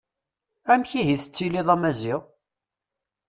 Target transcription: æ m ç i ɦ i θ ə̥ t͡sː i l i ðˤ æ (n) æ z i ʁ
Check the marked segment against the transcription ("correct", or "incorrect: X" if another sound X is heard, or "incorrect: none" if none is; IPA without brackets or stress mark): incorrect: m